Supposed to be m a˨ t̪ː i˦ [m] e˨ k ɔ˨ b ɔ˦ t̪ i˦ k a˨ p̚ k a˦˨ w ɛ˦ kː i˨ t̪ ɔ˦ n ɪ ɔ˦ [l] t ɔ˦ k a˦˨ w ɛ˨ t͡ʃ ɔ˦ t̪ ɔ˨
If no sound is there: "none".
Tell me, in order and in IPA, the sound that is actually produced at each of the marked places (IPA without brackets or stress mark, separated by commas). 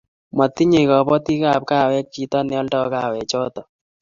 ɲ, l